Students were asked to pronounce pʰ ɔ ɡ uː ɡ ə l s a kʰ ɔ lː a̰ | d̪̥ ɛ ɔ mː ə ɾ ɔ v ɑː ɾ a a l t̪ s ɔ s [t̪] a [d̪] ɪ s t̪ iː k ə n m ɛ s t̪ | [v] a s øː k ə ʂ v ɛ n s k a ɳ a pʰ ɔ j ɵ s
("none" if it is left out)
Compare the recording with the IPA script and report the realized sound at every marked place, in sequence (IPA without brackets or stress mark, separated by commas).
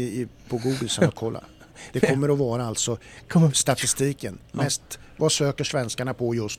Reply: t̪, t̪, v